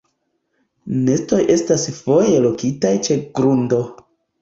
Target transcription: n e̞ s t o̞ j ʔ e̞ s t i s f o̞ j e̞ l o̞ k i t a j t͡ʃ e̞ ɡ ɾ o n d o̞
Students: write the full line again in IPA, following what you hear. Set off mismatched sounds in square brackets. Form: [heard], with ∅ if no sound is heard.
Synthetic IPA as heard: n e̞ s t o̞ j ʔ e̞ s t [a] s f o̞ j e̞ l o̞ k i t a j t͡ʃ e̞ ɡ ɾ [u] n d o̞